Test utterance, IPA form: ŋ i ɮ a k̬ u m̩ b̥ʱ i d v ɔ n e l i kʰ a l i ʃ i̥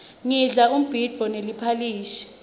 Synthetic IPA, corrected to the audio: ŋ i ɮ a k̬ u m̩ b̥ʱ i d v ɔ n e l i pʰ a l iː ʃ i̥